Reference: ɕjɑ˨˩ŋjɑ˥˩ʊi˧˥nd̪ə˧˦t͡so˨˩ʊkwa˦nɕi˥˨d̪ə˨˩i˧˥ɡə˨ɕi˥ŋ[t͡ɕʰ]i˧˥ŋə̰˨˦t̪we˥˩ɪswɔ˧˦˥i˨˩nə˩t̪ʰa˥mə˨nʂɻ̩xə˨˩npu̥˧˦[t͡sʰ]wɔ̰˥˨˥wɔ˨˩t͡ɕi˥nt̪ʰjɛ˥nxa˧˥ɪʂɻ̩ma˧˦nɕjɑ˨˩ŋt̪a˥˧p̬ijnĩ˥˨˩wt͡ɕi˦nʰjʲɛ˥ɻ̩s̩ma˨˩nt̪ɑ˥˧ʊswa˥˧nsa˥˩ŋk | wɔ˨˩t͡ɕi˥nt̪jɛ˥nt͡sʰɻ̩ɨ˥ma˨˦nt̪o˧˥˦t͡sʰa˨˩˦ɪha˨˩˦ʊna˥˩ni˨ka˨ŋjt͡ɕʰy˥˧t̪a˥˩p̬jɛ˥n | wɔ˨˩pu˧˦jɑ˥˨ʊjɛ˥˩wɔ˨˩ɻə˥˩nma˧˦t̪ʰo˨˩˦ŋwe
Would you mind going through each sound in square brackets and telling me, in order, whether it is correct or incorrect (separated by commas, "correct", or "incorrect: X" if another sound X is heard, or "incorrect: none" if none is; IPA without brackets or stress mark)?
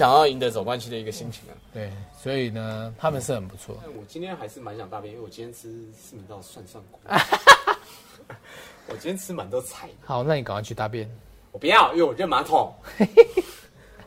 correct, correct